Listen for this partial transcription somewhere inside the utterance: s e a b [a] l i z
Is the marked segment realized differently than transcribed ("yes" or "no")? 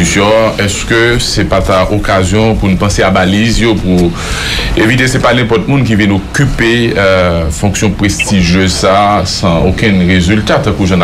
no